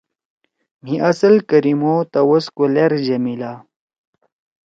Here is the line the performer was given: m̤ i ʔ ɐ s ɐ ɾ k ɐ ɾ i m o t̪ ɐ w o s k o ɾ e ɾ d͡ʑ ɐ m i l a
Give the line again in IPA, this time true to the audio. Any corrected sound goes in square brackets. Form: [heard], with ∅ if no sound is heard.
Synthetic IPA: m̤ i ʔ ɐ s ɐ [l] k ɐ ɾ i m o t̪ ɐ w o s k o [l] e ɾ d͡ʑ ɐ m i l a